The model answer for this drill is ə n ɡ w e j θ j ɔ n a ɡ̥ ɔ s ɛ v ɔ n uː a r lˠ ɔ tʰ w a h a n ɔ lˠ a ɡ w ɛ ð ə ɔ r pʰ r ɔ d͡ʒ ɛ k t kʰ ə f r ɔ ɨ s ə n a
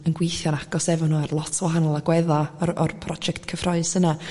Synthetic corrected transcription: ə n ɡ w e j θ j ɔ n a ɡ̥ ɔ s ɛ v ɔ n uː a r lˠ ɔ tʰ w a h a n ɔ lˠ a ɡ w ɛ ð a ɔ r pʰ r ɔ d͡ʒ ɛ k t kʰ ə f r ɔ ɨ s ə n a